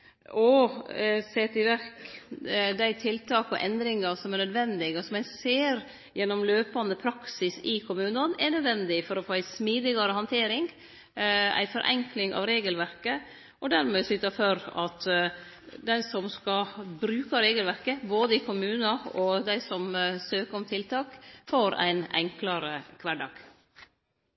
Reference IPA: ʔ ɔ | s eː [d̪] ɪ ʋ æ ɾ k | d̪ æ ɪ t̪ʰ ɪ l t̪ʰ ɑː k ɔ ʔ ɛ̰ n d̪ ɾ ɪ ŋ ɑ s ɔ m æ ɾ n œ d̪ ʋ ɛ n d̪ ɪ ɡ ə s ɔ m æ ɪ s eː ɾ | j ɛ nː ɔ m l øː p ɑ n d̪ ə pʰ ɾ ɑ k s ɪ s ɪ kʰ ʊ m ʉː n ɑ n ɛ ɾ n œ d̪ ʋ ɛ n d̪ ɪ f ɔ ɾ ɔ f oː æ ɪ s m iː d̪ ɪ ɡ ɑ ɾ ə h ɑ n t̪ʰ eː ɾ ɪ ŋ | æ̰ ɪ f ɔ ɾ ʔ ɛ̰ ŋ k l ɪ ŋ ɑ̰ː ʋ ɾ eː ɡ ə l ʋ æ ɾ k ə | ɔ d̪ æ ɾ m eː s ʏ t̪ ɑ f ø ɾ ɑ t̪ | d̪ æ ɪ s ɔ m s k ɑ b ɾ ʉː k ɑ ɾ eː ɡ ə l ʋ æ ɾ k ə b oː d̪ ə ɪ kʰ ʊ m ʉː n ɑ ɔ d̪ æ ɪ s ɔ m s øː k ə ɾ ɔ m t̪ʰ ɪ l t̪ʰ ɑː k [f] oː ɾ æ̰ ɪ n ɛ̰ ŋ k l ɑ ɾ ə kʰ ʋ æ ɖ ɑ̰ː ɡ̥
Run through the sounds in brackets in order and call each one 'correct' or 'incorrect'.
incorrect, correct

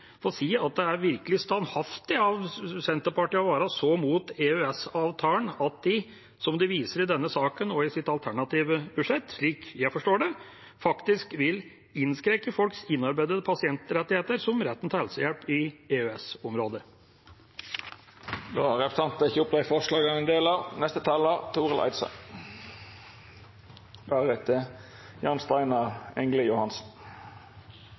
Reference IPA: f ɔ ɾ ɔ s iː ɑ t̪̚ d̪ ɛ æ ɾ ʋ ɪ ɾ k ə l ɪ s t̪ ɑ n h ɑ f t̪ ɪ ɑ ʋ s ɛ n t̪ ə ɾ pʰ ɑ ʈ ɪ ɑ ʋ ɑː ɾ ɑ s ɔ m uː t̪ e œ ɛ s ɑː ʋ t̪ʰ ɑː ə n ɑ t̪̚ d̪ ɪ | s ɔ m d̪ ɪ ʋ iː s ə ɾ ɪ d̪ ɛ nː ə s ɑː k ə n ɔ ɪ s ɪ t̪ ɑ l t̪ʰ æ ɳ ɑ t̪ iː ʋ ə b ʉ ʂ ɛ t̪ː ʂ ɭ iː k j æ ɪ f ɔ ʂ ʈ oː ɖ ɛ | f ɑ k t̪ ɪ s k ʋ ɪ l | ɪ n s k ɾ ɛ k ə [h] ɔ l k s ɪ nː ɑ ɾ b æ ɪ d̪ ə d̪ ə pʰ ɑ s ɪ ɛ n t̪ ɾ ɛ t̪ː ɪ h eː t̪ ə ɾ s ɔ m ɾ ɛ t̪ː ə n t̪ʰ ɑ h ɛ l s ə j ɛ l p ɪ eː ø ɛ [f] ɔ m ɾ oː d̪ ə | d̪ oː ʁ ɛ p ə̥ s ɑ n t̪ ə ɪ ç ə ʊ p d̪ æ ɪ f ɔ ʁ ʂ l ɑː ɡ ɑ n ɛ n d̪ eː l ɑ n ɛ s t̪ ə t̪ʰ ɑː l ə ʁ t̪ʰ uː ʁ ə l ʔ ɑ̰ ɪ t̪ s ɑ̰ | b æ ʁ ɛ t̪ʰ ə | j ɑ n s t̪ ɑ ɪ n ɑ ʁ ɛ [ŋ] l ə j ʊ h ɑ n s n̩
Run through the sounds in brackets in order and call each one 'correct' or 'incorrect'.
incorrect, incorrect, correct

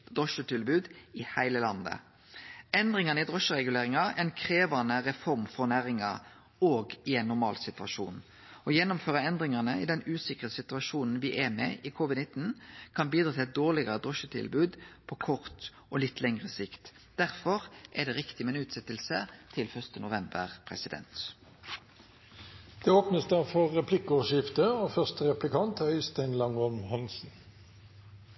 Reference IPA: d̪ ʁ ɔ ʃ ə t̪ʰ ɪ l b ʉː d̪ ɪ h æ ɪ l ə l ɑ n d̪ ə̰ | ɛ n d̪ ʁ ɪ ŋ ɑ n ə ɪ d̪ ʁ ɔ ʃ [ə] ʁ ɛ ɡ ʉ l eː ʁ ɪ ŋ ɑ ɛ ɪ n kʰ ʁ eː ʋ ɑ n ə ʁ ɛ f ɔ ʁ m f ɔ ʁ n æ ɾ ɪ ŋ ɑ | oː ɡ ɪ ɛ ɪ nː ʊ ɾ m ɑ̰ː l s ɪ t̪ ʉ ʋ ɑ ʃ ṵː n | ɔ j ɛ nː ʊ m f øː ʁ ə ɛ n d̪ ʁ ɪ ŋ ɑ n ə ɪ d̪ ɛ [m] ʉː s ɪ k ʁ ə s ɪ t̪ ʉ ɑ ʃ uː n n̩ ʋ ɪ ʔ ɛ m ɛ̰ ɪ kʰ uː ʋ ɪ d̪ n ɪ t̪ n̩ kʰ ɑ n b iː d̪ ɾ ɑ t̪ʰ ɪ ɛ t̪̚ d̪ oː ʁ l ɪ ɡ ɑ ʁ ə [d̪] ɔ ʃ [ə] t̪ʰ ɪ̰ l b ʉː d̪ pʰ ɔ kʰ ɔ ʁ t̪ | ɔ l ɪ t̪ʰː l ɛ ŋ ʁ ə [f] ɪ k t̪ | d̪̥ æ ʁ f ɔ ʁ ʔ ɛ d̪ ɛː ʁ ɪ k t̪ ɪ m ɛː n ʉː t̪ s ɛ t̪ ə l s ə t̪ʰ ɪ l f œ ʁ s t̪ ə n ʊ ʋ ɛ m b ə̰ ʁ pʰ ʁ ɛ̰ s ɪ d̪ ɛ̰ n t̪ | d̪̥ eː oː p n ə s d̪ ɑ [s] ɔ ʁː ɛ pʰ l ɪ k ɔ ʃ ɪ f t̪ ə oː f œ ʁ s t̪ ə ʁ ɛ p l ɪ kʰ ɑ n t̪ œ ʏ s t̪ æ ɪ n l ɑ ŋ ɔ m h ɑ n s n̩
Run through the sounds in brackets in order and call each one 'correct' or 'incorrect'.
correct, incorrect, correct, correct, incorrect, incorrect

